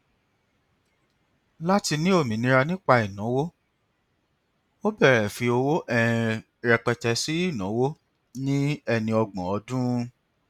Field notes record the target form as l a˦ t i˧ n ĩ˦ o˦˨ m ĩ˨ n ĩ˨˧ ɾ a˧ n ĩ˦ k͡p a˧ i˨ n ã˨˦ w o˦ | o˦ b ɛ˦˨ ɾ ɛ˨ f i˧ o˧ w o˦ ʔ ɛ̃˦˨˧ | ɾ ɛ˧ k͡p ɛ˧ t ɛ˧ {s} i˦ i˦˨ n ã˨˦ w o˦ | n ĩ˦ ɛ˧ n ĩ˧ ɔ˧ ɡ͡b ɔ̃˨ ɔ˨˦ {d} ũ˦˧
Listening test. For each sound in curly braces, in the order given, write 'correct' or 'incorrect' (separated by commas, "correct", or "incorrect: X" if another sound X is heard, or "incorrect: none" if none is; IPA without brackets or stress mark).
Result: correct, correct